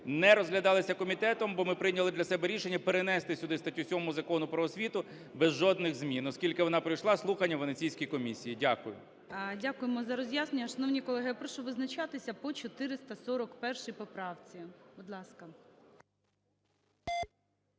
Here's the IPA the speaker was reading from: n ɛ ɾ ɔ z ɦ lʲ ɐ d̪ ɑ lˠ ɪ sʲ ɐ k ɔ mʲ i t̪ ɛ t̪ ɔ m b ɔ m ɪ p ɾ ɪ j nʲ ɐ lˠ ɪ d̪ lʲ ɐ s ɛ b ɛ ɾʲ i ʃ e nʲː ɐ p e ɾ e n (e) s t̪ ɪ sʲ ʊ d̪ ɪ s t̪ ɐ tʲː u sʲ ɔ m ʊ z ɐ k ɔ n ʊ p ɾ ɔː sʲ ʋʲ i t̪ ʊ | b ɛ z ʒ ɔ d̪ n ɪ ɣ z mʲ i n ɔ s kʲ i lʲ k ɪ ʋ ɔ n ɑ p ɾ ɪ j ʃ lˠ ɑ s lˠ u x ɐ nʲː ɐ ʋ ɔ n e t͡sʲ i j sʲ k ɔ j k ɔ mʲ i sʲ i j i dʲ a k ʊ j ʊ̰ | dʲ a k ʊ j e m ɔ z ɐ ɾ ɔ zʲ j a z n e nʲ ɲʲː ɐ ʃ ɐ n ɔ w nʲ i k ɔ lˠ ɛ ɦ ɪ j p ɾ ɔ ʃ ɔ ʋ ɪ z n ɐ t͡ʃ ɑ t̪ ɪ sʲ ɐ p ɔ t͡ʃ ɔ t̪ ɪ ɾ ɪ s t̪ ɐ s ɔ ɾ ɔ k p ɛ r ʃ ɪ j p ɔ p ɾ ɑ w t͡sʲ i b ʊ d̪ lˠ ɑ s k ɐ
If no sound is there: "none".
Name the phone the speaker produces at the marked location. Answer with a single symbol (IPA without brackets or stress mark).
ɛ